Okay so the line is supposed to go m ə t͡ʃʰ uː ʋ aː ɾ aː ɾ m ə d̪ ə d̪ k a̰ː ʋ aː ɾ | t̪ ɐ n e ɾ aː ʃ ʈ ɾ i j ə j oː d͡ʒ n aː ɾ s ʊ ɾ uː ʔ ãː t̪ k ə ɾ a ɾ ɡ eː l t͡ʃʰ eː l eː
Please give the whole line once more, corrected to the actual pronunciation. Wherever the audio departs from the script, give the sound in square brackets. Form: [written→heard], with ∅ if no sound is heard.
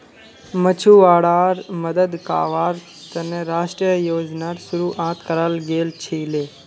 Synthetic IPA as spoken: m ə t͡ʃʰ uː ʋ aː [ɾ→ɽ] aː ɾ m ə d̪ ə d̪ k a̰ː ʋ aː ɾ | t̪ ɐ n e ɾ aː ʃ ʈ ɾ i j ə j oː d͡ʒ n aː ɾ s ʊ ɾ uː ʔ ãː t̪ k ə ɾ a [ɾ→l] ɡ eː l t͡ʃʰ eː l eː